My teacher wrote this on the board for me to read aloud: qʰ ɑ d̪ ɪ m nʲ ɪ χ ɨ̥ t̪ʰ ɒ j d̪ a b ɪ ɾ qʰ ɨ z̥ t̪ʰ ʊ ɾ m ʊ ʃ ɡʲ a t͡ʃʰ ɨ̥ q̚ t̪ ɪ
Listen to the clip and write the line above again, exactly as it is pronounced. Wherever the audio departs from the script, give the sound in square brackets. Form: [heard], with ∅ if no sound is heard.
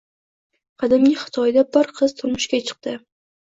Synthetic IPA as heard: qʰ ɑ d̪ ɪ m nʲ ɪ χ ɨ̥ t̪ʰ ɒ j d̪ a b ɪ ɾ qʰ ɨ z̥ t̪ʰ ʊ ɾ m ʊ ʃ [kʲ] a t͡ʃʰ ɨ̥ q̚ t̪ ɪ